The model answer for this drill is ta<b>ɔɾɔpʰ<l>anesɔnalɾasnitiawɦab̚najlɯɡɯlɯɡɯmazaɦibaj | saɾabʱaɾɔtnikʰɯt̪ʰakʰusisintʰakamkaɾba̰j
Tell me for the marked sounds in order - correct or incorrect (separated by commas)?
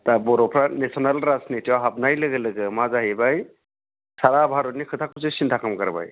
correct, incorrect